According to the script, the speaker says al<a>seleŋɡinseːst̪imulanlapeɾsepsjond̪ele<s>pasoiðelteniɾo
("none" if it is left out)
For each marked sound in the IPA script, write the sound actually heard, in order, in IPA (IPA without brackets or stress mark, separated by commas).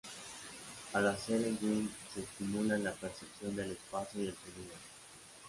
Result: a, s